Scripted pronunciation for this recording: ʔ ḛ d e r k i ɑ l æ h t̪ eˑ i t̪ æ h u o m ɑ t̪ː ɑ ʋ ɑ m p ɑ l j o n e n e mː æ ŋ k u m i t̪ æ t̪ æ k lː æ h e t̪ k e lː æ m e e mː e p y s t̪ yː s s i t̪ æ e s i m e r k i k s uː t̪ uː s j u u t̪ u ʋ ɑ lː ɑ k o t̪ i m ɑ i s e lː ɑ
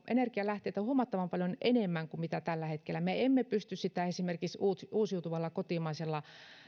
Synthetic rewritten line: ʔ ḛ n e r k i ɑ l æ h t̪ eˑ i t̪ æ h u o m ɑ t̪ː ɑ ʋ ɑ m p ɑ l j o n e n e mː æ ŋ k u m i t̪ æ t̪ æ lː æ h e t̪ k e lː æ m e e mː e p y s t̪ y s s i t̪ æ e s i m e r k i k s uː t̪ uː s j u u t̪ u ʋ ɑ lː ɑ k o t̪ i m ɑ i s e lː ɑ